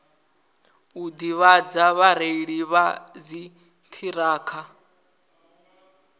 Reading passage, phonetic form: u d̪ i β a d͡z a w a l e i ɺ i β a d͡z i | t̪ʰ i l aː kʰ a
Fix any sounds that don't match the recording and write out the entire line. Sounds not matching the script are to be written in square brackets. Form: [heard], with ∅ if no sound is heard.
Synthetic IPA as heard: u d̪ i β a d͡z a [β] a [ɾ] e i ɺ i β a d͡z i | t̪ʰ i [ɾ] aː kʰ a